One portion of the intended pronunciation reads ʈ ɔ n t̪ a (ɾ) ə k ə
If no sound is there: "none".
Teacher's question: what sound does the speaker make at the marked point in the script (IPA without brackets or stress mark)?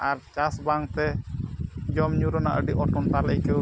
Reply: l